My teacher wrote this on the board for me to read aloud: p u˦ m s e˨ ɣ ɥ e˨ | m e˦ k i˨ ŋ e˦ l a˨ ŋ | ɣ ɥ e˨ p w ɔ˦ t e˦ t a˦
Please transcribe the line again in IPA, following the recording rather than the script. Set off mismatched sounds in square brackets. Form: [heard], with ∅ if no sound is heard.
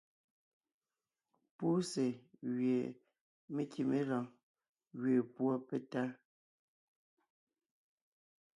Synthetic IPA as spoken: p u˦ [∅] s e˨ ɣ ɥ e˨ | m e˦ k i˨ [m] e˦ l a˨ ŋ | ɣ ɥ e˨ p w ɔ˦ [p] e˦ t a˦